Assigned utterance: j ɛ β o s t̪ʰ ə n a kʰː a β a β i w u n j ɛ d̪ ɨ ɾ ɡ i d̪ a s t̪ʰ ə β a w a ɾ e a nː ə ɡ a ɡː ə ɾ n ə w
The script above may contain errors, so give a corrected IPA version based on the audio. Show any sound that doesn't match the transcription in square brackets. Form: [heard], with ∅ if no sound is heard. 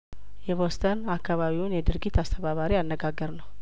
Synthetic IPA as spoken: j ɛ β o s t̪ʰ ə n a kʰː a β a β i w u n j ɛ d̪ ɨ ɾ ɡ i [t̪] a s t̪ʰ ə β a [β] a ɾ [i] a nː ə ɡ a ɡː ə ɾ n ə w